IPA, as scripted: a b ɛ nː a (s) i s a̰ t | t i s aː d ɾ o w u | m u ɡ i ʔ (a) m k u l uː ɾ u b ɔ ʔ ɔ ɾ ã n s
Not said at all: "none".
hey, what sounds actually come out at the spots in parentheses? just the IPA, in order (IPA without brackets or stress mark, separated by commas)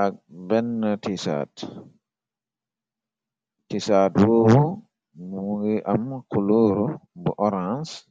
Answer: t, a